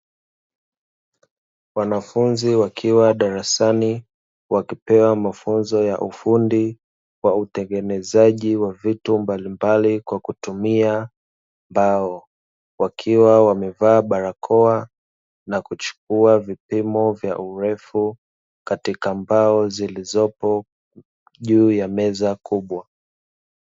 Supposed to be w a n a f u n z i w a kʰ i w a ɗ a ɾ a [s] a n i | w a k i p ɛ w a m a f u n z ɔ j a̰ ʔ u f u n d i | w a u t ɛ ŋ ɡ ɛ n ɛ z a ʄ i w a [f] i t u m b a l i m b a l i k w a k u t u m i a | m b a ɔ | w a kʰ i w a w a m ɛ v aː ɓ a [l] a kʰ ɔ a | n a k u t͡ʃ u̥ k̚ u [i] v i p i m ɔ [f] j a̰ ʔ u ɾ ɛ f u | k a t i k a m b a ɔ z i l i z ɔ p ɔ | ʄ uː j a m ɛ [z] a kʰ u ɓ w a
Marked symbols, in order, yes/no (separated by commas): yes, no, no, no, no, yes